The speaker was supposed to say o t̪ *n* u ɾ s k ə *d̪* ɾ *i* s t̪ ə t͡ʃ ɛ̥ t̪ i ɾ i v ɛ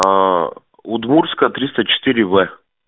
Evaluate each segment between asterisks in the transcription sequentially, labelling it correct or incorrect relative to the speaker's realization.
incorrect: m, incorrect: t̪, correct

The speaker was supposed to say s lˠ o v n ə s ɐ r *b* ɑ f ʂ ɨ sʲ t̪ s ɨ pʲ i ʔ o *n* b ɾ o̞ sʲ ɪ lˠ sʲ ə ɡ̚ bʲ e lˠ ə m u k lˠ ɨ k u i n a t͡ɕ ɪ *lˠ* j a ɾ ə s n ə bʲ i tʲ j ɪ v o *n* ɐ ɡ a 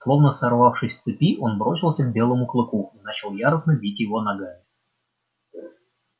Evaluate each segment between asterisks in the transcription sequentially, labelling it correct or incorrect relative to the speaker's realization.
incorrect: v, correct, correct, correct

